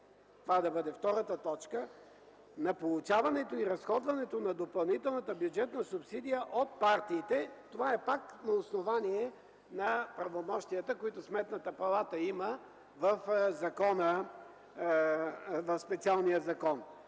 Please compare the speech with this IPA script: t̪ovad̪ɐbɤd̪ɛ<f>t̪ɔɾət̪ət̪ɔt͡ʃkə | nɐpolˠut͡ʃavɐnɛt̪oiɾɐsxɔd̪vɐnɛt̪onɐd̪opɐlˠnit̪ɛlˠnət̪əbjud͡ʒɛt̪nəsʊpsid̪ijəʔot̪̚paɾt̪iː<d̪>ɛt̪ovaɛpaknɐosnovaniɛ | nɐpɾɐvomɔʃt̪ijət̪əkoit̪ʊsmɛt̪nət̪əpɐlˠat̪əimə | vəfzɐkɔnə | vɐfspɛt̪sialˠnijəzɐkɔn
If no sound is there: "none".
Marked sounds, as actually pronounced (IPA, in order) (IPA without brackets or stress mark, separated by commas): f, t̪